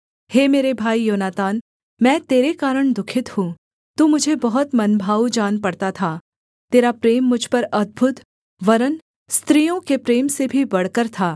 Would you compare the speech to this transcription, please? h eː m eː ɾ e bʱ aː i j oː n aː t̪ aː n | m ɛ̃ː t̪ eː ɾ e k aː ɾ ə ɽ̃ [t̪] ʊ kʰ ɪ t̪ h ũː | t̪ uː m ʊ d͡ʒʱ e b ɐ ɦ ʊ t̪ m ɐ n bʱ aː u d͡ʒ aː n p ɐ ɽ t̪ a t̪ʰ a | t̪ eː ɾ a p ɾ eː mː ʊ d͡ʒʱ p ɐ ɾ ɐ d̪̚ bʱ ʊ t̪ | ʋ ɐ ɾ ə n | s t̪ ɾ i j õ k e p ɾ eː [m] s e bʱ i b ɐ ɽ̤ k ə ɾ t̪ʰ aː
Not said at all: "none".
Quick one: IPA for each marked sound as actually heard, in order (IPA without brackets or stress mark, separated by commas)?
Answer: d̪, m